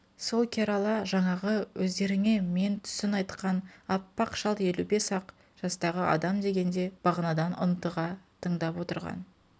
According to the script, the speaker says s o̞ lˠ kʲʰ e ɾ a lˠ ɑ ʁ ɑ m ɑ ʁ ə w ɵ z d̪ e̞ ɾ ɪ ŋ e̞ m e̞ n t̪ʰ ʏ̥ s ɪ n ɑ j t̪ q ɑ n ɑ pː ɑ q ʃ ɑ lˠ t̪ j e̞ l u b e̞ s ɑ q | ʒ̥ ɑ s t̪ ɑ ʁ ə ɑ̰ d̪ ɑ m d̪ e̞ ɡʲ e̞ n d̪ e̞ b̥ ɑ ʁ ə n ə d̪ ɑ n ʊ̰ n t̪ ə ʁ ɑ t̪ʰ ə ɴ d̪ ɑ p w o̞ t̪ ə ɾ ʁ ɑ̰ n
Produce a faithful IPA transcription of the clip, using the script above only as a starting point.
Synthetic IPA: s o̞ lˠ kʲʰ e ɾ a lˠ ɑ ʒ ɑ ɴ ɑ ʁ ə w ɵ z d̪ e̞ ɾ ɪ ŋ e̞ m e̞ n t̪ʰ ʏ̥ s ɪ n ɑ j t̪ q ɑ n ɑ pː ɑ q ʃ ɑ lˠ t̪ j e̞ l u b e̞ s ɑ q | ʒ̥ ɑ s t̪ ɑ ʁ ə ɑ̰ d̪ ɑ m d̪ e̞ ɡʲ e̞ n d̪ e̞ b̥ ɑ ʁ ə n ɑ d̪ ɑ n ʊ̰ n t̪ ə ʁ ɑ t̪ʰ ə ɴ d̪ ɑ p w o̞ t̪ ə ɾ ʁ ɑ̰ n